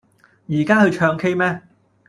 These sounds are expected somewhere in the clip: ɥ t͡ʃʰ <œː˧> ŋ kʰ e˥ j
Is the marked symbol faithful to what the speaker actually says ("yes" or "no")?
yes